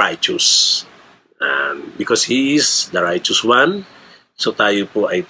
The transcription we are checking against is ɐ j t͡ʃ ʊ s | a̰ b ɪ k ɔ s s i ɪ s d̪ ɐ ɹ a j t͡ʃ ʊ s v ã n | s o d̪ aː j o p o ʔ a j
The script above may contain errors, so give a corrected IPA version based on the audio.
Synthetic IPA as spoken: a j t͡ʃ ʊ s | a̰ b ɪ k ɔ s h i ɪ s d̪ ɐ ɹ a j t͡ʃ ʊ s w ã n | s o t̪ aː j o p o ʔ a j